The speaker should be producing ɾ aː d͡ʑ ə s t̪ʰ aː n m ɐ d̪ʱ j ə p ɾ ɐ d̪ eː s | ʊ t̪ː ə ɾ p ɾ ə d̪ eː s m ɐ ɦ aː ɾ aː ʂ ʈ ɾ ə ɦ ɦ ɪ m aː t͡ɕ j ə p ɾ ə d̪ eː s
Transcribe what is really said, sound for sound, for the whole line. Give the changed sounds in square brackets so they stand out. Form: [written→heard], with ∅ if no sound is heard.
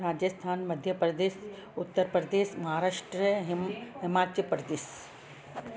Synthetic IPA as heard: ɾ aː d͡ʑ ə s t̪ʰ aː n m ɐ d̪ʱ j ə p ɾ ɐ d̪ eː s | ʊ t̪ː ə ɾ p ɾ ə d̪ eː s m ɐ ɦ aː ɾ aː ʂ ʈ ɾ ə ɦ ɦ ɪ m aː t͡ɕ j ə p ɾ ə d̪ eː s